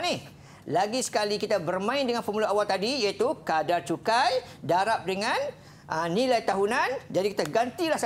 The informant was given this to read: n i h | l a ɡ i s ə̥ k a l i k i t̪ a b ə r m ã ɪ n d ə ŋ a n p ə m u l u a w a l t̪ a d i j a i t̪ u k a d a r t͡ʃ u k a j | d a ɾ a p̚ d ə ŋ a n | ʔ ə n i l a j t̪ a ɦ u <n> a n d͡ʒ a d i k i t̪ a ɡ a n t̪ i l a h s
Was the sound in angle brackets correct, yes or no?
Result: yes